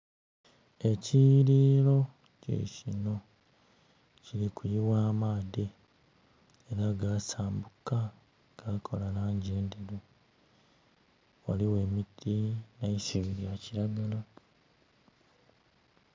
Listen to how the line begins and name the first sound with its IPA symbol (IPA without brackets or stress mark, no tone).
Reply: e̞